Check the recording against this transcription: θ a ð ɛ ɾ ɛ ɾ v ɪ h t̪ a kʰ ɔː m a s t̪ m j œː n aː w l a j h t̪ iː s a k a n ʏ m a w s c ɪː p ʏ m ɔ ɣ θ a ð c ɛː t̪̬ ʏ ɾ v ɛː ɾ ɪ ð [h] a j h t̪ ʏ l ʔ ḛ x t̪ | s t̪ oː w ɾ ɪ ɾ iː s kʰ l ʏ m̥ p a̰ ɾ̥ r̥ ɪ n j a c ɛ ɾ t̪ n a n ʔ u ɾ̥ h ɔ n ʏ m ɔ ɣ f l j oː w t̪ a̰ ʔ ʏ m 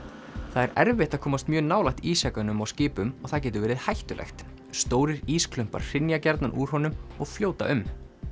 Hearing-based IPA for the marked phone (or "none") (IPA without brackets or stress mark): h